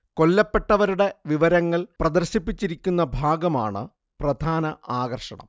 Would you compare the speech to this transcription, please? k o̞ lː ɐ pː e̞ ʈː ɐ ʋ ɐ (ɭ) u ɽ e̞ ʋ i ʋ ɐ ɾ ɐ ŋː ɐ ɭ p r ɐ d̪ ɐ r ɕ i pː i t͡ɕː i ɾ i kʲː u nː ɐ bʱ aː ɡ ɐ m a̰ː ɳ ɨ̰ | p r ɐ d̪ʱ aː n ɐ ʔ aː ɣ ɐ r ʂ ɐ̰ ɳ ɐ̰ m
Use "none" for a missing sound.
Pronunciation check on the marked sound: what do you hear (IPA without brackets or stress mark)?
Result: ɾ